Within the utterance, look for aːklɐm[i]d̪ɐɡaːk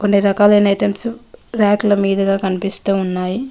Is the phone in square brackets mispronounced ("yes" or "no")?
yes